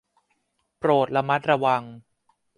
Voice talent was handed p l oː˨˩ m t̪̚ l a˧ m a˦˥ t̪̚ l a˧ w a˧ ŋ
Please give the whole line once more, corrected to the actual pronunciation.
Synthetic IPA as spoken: p ɾ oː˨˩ t̪̚ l a˧ m a˦˥ t̪̚ ɾ a˧ w a˧ ŋ